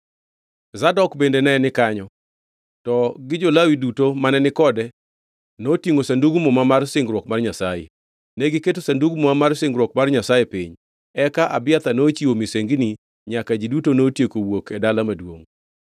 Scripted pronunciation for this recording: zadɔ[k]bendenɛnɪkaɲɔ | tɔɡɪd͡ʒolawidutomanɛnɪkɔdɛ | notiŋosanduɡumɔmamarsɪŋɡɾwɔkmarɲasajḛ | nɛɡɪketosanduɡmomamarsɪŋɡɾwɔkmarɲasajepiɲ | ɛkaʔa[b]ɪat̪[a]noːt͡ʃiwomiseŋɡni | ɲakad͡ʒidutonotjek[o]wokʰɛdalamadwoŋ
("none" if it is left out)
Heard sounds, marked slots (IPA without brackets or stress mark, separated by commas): k, b, a, o